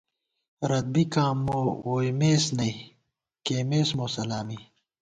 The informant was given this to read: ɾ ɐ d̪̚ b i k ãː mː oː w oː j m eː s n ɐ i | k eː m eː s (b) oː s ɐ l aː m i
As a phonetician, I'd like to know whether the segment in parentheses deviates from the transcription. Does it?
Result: yes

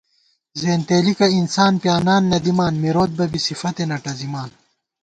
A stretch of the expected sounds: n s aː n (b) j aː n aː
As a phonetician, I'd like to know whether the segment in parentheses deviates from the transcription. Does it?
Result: yes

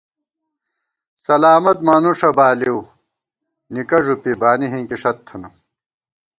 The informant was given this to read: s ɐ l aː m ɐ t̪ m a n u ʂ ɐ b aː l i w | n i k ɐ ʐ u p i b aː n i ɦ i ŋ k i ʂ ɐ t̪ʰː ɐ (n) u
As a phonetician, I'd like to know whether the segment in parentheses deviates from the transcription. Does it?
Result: no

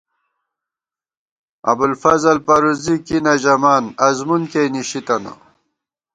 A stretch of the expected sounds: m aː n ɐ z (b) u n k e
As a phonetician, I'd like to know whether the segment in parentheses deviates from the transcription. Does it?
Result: yes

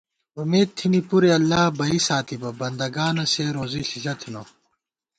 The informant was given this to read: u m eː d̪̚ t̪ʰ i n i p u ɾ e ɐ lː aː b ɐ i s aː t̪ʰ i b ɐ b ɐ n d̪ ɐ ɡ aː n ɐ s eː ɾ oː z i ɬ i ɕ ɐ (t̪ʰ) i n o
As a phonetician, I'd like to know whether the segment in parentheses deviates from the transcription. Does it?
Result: no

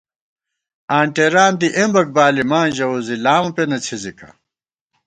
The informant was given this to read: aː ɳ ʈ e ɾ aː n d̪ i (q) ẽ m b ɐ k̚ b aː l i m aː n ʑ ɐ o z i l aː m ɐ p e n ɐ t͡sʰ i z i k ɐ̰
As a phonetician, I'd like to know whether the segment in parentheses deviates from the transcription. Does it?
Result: yes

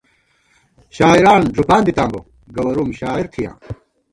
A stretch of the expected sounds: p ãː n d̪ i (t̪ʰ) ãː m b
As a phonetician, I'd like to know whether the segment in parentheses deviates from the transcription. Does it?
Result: yes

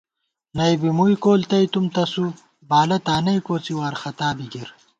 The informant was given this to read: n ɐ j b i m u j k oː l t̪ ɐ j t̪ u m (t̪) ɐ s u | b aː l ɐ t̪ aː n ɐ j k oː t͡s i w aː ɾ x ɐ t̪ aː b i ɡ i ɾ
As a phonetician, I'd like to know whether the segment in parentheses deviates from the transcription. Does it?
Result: no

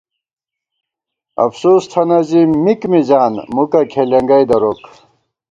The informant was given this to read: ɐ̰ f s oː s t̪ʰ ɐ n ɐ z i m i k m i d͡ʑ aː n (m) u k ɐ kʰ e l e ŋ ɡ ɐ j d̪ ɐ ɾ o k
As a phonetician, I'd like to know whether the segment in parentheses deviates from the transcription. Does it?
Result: no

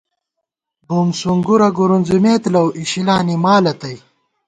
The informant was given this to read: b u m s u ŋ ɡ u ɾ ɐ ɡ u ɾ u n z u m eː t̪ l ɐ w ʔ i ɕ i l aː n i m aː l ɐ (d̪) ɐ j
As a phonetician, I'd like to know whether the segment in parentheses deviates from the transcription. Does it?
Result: yes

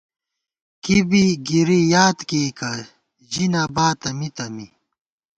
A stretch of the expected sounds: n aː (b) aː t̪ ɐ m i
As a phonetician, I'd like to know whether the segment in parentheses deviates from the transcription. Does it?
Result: no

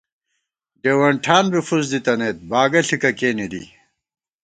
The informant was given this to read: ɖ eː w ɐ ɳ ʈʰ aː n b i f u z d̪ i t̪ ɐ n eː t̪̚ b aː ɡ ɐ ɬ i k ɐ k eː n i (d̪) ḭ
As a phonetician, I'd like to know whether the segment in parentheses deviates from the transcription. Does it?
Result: no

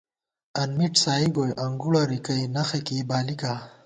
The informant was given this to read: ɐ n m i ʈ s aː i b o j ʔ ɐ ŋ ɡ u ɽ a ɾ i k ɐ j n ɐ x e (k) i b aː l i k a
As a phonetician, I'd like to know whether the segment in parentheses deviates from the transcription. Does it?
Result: no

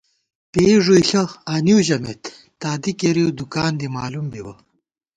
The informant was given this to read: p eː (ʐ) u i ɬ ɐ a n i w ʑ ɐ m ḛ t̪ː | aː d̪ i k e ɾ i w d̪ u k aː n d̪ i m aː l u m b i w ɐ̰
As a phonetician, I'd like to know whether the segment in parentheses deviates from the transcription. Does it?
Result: no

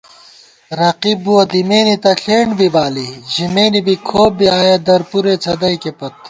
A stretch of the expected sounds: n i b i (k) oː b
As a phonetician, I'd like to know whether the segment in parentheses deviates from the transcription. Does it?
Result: yes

